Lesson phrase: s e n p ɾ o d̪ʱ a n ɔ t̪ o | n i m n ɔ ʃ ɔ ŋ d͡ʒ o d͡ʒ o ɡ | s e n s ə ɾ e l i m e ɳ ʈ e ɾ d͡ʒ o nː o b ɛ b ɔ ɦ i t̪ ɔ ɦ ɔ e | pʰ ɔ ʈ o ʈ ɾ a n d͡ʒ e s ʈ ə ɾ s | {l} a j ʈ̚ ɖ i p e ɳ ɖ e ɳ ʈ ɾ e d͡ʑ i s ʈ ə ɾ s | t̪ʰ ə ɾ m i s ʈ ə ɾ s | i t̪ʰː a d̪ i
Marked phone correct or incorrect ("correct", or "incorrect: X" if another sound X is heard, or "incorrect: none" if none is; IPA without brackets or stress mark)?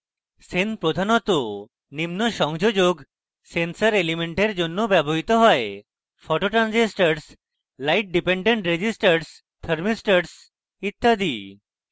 correct